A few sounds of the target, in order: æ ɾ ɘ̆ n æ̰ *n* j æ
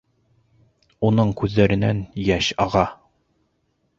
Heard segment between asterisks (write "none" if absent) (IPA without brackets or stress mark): n